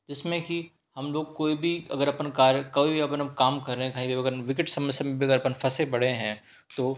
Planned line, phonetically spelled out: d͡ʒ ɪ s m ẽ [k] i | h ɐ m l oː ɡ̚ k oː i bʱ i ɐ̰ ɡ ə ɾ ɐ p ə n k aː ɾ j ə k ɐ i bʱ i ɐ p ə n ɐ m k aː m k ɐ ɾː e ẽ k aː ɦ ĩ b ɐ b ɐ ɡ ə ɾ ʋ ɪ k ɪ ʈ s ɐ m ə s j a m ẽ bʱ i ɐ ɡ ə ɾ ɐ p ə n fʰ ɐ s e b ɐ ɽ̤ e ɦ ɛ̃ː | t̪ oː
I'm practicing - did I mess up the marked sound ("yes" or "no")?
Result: no